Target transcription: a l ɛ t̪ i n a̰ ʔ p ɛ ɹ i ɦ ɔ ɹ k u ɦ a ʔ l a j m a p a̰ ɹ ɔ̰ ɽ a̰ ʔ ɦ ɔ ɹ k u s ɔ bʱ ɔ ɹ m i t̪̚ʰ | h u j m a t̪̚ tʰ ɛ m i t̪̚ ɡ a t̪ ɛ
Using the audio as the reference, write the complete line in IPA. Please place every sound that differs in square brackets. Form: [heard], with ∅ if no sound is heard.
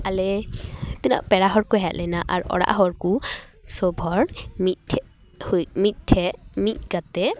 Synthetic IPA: a l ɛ t̪ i n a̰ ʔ p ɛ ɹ [a] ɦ ɔ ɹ k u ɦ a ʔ l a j [n] a [ʔ] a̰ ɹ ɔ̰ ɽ a̰ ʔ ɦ ɔ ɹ k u s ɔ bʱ ɔ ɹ m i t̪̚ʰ | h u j m [i] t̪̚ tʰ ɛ m i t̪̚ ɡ a t̪ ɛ

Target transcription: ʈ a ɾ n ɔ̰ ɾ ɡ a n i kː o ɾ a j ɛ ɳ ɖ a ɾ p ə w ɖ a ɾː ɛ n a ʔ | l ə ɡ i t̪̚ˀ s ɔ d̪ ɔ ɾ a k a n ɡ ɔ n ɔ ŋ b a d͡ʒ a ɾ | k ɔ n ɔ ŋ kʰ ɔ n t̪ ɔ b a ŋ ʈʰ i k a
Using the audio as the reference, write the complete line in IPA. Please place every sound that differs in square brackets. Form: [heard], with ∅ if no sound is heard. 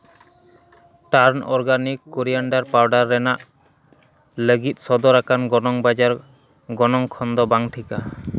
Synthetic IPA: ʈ a ɾ n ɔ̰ ɾ ɡ a n i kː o ɾ [i] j [a] ɳ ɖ a ɾ p [a] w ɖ a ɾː ɛ n a ʔ | l ə ɡ i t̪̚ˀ s ɔ d̪ ɔ ɾ a k a n ɡ ɔ n ɔ ŋ b a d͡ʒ a ɾ | [ɡ] ɔ n ɔ ŋ kʰ ɔ n [d̪] ɔ b a ŋ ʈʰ i k a

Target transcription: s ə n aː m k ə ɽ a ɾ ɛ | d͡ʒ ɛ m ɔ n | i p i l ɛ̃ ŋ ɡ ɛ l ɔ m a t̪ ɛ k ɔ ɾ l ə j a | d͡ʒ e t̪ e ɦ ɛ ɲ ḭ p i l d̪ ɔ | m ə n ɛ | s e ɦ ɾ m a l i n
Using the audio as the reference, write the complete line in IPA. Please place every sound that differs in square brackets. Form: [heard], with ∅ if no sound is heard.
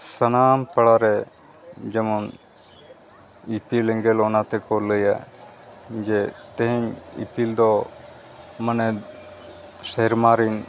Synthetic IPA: s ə n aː m [p] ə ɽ a ɾ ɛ | d͡ʒ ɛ m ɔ n | i p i l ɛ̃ ŋ ɡ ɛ l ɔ [n] a t̪ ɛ k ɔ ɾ l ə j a | d͡ʒ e t̪ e ɦ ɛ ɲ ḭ p i l d̪ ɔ | m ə n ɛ | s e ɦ ɾ m a [ɾ] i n

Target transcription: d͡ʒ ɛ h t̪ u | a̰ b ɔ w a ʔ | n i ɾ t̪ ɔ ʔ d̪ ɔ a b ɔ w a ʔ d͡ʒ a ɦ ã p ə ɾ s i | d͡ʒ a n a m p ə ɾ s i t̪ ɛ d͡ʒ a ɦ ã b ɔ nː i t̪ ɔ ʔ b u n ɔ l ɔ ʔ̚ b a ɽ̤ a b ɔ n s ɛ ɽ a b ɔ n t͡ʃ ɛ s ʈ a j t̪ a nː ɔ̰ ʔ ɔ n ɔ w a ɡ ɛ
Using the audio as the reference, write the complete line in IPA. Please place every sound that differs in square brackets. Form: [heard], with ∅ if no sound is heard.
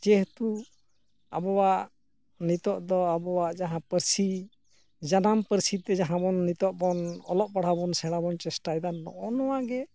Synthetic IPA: d͡ʒ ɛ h t̪ u | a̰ b ɔ w a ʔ | n i [∅] t̪ ɔ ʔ d̪ ɔ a b ɔ w a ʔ d͡ʒ a ɦ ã p ə ɾ s i | d͡ʒ a n a m p ə ɾ s i t̪ ɛ d͡ʒ a ɦ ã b ɔ nː i t̪ ɔ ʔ b [ɔ] n ɔ l ɔ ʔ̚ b a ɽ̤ a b ɔ n s ɛ ɽ a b ɔ n t͡ʃ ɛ s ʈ a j [d̪] a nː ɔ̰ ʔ ɔ n ɔ w a ɡ ɛ

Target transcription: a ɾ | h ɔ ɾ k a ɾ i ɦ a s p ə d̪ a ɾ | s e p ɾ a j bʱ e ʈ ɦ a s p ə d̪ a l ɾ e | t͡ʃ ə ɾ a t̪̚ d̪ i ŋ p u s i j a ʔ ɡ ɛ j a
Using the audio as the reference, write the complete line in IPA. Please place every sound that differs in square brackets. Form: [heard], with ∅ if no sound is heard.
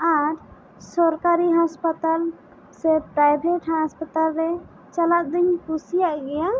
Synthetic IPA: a ɾ | [s] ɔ ɾ k a ɾ i ɦ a s p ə [t̪] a [l] | s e p ɾ a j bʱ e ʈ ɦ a s p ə [t̪] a l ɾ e | t͡ʃ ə [l] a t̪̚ d̪ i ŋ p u s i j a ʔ ɡ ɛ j a

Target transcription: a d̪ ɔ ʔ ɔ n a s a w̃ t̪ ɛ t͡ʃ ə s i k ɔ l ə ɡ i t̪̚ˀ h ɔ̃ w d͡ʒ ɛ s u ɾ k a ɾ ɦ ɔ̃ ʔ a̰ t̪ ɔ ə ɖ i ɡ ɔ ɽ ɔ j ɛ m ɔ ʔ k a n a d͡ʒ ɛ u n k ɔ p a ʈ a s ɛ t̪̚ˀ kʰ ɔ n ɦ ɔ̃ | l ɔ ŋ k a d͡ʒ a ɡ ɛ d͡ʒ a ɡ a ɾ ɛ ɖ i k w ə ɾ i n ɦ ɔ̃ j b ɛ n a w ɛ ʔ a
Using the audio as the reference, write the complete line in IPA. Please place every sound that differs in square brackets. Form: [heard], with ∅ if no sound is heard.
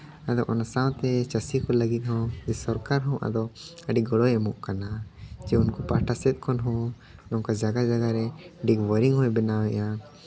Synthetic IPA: a d̪ ɔ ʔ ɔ n a s a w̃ t̪ ɛ t͡ʃ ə s i k ɔ l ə ɡ i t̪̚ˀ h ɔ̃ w d͡ʒ ɛ s [ɔ] ɾ k a ɾ ɦ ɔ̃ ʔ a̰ [d̪] ɔ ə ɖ i ɡ ɔ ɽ ɔ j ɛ m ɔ ʔ k a n a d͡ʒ ɛ u n k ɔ p a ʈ a s ɛ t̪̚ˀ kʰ ɔ n ɦ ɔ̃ | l ɔ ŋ k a d͡ʒ a ɡ [a] d͡ʒ a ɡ a ɾ ɛ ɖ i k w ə ɾ i [ŋ] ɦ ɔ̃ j b ɛ n a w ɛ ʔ a

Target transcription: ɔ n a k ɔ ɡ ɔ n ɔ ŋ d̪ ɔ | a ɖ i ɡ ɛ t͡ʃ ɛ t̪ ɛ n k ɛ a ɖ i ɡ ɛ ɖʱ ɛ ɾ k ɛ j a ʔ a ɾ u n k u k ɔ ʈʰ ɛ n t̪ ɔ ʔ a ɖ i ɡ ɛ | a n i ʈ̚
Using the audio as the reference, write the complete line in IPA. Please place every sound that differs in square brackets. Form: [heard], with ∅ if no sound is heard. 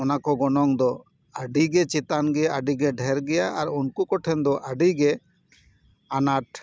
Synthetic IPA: ɔ n a k ɔ ɡ ɔ n ɔ ŋ d̪ ɔ | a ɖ i ɡ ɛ t͡ʃ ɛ t̪ [a] n [ɡ] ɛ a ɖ i ɡ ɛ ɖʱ ɛ ɾ [ɡ] ɛ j a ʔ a ɾ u n k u k ɔ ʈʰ ɛ n [d̪] ɔ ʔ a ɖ i ɡ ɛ | a n [a] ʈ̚

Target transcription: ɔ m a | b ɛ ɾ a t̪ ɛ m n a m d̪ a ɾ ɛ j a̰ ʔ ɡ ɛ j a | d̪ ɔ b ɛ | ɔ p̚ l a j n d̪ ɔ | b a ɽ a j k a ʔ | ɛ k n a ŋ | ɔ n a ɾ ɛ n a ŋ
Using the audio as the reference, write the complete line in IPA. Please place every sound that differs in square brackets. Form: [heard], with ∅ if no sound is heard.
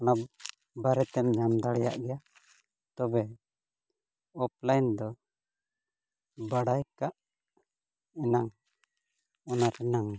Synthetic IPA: ɔ [n] a | b [a] ɾ [ɛ] t̪ ɛ m [ɲ] a m d̪ a [ɽ] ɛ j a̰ ʔ ɡ ɛ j a | [t̪] ɔ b ɛ | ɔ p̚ l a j n d̪ ɔ | b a ɽ a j k a ʔ | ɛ [∅] n a ŋ | ɔ n a ɾ ɛ n a ŋ

